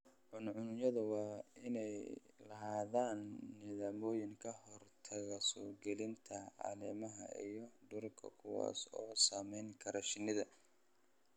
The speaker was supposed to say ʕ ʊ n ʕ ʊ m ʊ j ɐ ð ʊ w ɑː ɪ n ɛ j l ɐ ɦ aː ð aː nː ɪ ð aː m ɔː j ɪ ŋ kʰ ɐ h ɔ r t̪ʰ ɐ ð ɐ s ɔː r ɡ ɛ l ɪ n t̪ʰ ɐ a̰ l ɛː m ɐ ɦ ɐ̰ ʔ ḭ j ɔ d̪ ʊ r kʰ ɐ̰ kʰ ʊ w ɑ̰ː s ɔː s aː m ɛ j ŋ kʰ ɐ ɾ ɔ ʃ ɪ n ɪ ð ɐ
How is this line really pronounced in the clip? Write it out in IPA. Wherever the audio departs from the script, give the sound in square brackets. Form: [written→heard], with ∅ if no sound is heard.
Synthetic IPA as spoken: ʕ ʊ n ʕ ʊ [m→n] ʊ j ɐ ð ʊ w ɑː ɪ n ɛ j l ɐ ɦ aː ð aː nː ɪ ð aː m ɔː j ɪ ŋ kʰ ɐ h ɔ r t̪ʰ ɐ [ð→ɣ] ɐ s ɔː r ɡ ɛ l ɪ n t̪ʰ ɐ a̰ l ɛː m ɐ ɦ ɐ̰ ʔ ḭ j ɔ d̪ ʊ r kʰ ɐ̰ kʰ ʊ w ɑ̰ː s ɔː s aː m ɛ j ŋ kʰ ɐ ɾ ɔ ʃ ɪ n ɪ ð ɐ